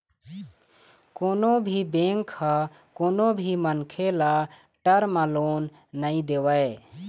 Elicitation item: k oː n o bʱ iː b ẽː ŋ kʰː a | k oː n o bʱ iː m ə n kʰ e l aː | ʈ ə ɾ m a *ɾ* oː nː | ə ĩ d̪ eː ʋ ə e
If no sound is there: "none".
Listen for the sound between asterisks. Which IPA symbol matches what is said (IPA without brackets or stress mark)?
l